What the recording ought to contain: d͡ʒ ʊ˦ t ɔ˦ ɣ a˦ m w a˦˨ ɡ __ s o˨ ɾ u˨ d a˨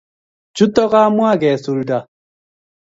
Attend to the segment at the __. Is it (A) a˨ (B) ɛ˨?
B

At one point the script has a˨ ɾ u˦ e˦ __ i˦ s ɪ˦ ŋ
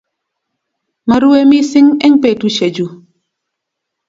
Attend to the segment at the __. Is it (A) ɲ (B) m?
B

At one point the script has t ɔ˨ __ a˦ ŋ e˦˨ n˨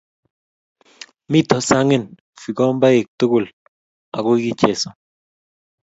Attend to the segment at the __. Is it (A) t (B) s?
B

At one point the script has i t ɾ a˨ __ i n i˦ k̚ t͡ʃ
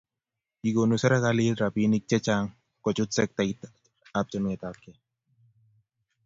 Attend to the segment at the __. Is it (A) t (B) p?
B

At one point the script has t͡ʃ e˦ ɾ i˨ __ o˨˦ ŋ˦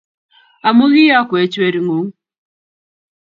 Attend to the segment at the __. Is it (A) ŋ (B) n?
A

